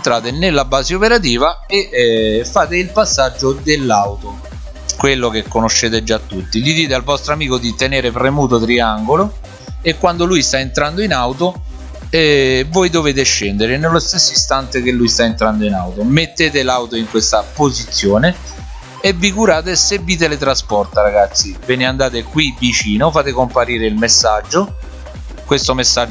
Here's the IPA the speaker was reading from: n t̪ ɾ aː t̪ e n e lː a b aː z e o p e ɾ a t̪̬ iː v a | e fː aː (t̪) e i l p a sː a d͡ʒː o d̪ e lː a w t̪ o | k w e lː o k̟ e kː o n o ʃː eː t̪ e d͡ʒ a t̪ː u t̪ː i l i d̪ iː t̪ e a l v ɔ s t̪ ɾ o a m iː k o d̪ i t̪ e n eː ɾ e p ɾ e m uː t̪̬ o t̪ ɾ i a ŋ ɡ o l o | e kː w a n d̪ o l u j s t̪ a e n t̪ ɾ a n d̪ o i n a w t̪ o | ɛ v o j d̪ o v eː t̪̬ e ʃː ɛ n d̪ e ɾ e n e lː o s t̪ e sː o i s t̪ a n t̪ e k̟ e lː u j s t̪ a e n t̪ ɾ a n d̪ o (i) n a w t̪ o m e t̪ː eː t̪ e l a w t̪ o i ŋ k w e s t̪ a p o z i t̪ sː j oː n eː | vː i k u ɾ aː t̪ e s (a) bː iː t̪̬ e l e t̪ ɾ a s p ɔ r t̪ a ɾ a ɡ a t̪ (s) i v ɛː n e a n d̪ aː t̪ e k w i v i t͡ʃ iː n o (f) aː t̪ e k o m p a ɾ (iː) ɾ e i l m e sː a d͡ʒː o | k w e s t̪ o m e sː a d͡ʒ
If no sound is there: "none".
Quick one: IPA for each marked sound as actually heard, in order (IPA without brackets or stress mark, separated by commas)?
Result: t̪, i, e, sː, f, iː